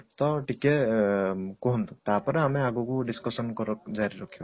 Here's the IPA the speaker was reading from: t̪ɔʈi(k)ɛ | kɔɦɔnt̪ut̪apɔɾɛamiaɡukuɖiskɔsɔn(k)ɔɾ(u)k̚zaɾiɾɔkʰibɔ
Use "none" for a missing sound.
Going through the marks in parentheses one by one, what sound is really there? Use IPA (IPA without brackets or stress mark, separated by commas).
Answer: k, k, ɔ